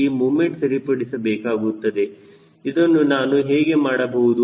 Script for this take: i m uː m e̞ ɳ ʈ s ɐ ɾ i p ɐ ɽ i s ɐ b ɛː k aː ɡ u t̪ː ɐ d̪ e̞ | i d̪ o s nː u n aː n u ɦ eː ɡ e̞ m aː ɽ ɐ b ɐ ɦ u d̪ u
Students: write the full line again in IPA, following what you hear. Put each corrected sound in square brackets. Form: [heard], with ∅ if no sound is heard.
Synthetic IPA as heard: i m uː m e̞ ɳ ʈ s ɐ ɾ i p ɐ ɽ i s ɐ b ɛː k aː ɡ u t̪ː ɐ d̪ e̞ | i d̪ o [∅] nː u n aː n u ɦ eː ɡ e̞ m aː ɽ ɐ b ɐ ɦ u d̪ u